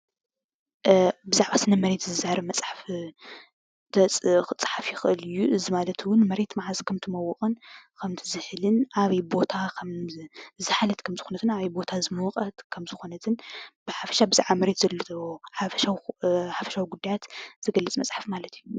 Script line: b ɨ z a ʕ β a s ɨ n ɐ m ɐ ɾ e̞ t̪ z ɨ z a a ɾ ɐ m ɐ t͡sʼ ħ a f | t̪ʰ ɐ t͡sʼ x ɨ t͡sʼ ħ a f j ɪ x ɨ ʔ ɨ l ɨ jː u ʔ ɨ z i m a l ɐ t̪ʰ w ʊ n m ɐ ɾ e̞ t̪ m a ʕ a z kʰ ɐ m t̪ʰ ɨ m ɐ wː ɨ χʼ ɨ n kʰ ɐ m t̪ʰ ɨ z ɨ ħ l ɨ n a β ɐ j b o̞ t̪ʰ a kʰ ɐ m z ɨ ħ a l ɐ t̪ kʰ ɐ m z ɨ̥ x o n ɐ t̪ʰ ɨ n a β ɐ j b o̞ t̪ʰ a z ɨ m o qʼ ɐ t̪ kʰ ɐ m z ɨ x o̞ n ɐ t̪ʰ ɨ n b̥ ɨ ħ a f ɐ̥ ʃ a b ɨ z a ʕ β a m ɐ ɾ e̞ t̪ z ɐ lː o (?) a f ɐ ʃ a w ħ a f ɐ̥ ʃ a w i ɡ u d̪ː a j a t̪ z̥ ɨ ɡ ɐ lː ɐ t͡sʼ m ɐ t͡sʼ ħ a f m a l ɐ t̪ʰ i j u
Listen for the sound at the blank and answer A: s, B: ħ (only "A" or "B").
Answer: B